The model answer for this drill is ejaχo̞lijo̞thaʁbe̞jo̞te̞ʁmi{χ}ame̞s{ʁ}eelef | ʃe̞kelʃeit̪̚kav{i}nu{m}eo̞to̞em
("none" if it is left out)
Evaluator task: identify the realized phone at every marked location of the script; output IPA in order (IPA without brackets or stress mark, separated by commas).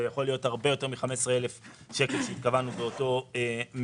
χ, ʁ, a, b